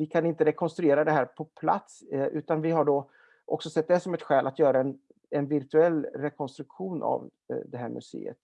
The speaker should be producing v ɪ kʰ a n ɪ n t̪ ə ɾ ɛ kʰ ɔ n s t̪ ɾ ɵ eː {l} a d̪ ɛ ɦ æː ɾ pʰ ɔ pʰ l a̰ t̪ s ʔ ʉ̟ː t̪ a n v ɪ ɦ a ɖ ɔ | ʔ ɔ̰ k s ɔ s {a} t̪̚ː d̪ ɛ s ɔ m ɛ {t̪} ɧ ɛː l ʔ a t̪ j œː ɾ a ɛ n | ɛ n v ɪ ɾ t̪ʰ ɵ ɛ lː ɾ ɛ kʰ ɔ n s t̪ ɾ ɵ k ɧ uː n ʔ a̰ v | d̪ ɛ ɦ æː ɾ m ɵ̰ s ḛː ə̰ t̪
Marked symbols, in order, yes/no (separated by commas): no, no, yes